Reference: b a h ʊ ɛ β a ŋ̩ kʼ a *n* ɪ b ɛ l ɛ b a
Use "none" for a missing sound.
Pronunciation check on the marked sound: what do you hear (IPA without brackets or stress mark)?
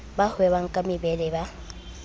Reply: m